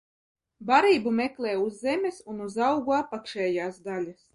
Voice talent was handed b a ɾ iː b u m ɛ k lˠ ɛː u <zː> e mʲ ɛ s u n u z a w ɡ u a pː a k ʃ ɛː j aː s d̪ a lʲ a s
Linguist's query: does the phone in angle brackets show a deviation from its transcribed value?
no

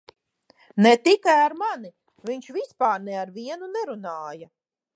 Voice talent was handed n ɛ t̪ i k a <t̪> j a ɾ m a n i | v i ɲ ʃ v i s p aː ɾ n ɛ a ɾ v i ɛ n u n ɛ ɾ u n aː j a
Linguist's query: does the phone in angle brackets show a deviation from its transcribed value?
yes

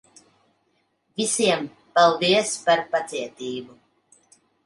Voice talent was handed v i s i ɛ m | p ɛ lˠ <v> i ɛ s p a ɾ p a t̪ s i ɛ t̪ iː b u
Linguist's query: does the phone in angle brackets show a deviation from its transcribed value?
no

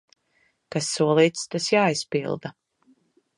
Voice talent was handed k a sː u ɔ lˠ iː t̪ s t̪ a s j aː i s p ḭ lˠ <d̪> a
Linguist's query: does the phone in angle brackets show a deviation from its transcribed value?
no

